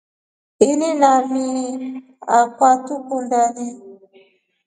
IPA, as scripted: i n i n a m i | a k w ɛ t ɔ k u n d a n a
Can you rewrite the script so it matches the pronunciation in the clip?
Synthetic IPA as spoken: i n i n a m i | a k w a t u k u n d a n i